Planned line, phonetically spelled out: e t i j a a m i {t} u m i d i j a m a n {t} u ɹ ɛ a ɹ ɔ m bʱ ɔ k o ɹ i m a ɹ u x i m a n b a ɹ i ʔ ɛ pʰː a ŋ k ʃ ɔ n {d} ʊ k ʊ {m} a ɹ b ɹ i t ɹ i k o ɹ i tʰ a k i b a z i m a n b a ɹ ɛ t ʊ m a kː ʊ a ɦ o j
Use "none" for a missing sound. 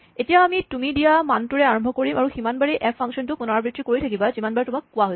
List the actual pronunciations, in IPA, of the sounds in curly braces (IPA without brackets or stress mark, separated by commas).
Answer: t, t, t, n